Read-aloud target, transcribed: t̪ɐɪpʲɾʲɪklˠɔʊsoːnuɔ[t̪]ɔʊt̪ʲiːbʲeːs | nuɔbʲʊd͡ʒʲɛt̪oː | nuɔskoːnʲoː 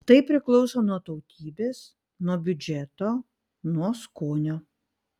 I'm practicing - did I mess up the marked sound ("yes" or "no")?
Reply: no